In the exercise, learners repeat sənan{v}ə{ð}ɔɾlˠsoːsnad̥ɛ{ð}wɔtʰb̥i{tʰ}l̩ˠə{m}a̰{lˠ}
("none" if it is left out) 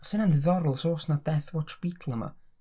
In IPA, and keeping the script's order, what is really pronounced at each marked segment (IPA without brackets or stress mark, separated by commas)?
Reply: ð, ð, θ, tʰ, m, none